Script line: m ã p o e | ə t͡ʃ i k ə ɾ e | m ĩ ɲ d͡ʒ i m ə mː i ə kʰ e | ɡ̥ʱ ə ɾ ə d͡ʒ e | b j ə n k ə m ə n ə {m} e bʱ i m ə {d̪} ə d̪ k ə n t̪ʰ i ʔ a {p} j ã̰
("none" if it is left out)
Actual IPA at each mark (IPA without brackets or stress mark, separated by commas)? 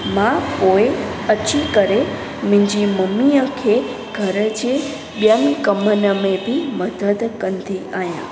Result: m, d̪, none